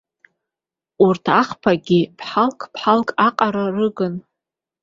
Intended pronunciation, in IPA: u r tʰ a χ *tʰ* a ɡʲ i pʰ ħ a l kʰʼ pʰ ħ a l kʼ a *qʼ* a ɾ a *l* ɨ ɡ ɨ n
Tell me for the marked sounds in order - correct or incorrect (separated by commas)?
incorrect, correct, incorrect